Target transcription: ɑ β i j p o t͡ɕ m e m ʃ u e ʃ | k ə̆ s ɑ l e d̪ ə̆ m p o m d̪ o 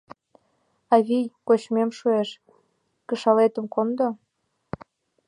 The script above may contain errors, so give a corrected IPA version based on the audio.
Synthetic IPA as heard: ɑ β i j k o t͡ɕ m e m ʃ u e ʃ | k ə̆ ʃ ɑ l e t̪ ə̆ m k o n d̪ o